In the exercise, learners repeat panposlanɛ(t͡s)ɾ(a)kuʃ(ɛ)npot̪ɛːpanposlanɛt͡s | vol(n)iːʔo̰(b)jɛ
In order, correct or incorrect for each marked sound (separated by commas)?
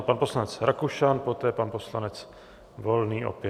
correct, correct, incorrect, correct, incorrect